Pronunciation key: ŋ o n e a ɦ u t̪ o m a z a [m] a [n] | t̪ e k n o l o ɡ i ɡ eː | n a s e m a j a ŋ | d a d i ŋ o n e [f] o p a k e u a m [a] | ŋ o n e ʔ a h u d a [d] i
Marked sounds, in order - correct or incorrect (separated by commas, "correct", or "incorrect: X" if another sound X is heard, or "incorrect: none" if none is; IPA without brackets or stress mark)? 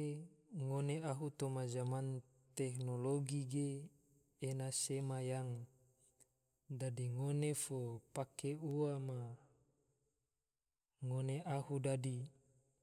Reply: correct, correct, correct, correct, correct